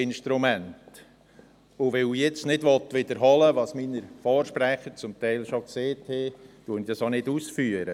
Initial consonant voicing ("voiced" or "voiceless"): voiced